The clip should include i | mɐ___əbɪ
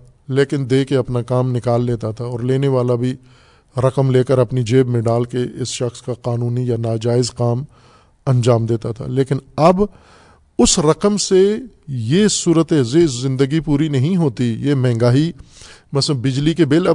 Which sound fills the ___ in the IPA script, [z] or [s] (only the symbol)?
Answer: s